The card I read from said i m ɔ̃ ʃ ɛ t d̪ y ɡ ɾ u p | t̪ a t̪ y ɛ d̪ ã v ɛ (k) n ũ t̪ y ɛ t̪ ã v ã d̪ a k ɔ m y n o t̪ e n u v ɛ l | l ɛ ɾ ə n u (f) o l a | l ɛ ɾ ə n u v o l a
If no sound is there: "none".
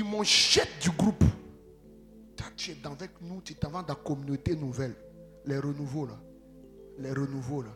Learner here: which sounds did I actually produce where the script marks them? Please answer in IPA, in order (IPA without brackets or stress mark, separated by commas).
k, v